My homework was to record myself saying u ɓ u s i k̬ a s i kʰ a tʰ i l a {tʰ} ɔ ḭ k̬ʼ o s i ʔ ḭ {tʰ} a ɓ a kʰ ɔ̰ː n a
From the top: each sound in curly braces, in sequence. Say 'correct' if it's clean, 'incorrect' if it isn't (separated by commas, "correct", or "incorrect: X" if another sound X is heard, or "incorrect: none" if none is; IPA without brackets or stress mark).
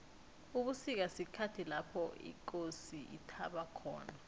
incorrect: pʰ, correct